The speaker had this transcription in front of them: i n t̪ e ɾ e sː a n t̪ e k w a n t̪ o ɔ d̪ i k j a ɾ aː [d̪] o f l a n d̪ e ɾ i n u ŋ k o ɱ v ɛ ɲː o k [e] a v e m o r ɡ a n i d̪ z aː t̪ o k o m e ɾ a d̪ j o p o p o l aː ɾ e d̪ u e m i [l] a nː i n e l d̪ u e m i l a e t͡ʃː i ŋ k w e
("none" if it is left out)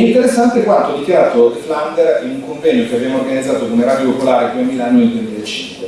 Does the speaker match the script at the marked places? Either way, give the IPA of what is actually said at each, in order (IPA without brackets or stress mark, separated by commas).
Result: t̪, e, l